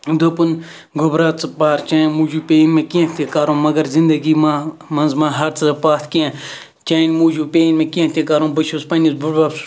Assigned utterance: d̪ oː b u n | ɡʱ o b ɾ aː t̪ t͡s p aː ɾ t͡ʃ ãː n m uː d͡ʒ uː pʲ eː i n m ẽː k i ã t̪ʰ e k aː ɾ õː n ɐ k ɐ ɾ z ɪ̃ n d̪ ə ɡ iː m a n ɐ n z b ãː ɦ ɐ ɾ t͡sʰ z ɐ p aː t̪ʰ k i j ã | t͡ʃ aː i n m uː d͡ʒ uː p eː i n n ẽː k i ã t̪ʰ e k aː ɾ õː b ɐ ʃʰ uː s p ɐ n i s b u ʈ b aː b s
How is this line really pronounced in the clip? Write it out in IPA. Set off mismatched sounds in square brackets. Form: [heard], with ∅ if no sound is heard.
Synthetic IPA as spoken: d̪ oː [p] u n | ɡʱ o b ɾ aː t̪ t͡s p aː ɾ t͡ʃ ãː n m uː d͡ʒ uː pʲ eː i n m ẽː k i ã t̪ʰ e k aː ɾ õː [m] ɐ [ɡ] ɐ ɾ z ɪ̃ n d̪ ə ɡ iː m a [m] ɐ n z [m] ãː ɦ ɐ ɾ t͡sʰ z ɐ p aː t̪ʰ k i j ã | t͡ʃ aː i n m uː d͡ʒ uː p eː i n [m] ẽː k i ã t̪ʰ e k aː ɾ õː b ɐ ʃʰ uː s p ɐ n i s b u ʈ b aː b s

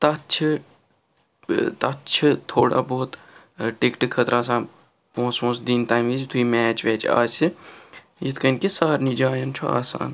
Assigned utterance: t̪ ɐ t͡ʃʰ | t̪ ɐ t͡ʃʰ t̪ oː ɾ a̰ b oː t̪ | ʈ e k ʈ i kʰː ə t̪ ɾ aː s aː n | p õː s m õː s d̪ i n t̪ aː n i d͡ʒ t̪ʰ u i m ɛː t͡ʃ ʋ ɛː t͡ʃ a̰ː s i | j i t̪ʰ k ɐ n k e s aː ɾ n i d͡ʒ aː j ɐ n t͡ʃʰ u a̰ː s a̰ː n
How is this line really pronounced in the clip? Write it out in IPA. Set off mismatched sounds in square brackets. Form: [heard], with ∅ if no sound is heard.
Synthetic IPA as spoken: t̪ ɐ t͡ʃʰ | t̪ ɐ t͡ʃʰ [t̪ʰ] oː [ɽ] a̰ b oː t̪ | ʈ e k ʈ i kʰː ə t̪ ɾ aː s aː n | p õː s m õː s d̪ i n t̪ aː [m] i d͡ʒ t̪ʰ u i m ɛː t͡ʃ ʋ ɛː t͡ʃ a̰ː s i | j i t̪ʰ k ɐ n k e s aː ɾ n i d͡ʒ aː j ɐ n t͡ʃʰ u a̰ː s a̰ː n

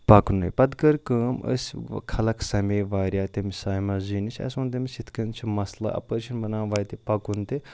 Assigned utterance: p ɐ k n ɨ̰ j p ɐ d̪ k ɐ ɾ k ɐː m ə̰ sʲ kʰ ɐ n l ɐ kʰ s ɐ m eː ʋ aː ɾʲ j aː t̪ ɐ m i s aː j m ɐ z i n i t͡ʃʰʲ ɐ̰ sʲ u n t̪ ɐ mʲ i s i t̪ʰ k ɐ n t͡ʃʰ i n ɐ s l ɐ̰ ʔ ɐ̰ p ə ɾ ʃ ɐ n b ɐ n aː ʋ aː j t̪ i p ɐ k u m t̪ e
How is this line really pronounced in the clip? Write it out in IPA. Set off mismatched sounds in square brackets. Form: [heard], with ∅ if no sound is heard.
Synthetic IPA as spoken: p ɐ k n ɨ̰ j p ɐ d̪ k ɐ ɾ k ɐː m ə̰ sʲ kʰ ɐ [∅] l ɐ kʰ s ɐ m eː ʋ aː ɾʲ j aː t̪ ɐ m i s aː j m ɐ z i n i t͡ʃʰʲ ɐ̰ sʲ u n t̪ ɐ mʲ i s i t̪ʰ k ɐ n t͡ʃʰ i [m] ɐ s l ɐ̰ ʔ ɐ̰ p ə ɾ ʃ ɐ n b ɐ n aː ʋ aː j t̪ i p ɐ k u [n] t̪ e

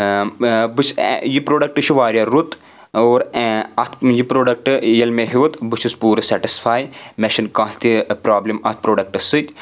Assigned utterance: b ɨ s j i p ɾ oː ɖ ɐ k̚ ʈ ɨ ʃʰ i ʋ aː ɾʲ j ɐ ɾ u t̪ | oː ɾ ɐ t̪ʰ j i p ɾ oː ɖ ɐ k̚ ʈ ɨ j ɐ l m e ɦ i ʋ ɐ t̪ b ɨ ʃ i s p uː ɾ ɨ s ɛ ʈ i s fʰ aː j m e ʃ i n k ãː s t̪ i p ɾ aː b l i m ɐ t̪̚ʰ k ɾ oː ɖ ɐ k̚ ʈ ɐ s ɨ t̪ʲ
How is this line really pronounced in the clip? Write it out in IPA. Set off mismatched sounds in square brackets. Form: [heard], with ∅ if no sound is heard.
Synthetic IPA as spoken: b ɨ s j i p ɾ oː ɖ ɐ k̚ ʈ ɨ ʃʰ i ʋ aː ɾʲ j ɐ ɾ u t̪ | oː ɾ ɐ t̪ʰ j i p ɾ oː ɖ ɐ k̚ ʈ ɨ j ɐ l m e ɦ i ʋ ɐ t̪ b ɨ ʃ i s p uː ɾ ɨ s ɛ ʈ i s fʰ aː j m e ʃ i n k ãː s t̪ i p ɾ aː b l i m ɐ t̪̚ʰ [p] ɾ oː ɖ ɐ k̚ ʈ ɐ s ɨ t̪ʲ

